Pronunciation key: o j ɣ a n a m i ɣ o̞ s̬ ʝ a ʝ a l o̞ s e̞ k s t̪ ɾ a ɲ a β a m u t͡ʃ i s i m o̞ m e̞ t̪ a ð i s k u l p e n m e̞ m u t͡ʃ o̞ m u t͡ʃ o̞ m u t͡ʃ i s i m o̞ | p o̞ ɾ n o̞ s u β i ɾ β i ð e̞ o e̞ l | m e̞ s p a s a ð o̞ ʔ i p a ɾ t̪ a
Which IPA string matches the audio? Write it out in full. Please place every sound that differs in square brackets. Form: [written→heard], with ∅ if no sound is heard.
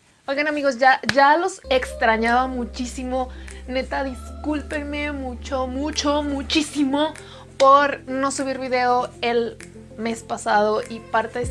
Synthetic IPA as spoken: o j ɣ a n a m i ɣ o̞ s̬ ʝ a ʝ a l o̞ s e̞ k s t̪ ɾ a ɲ a β a m u t͡ʃ i s i m o̞ [m→n] e̞ t̪ a ð i s k u l p e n m e̞ m u t͡ʃ o̞ m u t͡ʃ o̞ m u t͡ʃ i s i m o̞ | p o̞ ɾ n o̞ s u β i ɾ β i ð e̞ o e̞ l | m e̞ s p a s a ð o̞ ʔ i p a ɾ t̪ [a→e]